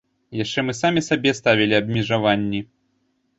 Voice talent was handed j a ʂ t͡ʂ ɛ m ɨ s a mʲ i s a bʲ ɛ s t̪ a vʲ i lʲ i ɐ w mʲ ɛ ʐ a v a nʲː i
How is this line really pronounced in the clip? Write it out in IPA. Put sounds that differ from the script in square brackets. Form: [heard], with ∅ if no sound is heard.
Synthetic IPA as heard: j a ʂ t͡ʂ ɛ m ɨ s a mʲ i s a bʲ ɛ s t̪ a vʲ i lʲ i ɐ [b] mʲ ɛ ʐ a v a nʲː i